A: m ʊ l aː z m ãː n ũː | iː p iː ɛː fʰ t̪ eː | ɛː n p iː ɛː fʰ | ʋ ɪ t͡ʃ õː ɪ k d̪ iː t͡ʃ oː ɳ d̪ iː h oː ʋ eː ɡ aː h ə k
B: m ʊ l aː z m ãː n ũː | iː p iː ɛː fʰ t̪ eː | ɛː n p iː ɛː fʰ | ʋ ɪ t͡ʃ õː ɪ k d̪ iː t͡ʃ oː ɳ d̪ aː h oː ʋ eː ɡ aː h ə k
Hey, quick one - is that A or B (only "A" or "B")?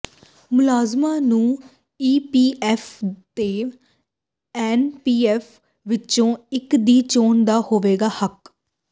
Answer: B